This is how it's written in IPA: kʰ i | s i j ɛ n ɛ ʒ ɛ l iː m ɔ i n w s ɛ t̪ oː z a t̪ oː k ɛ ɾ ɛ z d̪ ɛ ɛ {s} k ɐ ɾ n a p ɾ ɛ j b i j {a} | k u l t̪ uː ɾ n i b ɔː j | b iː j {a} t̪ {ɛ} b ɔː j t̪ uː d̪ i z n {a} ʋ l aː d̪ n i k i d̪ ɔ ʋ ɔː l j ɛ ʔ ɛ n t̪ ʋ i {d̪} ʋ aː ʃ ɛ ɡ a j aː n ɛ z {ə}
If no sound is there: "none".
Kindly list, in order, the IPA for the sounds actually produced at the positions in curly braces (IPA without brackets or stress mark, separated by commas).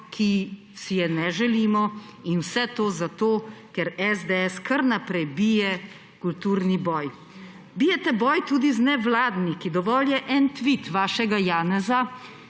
s, ɛ, ɛ, ɛ, ɛ, t̪, a